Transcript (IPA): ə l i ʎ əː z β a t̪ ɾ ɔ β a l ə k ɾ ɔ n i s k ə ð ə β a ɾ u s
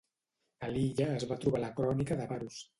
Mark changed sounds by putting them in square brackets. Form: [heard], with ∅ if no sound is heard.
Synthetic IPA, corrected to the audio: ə l i ʎ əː z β a t̪ ɾ [u] β a l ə k ɾ ɔ n i [∅] k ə ð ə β a ɾ u s